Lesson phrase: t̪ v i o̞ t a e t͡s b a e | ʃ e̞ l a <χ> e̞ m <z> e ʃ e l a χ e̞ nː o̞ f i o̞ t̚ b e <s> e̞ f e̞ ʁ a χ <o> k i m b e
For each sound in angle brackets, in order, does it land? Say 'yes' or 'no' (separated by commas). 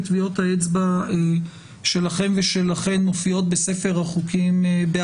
yes, no, yes, no